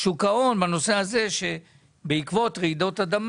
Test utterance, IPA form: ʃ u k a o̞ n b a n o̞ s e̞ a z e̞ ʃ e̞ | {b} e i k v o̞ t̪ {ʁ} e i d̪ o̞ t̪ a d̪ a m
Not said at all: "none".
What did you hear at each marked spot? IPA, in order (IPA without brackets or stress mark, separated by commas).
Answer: b, ʁ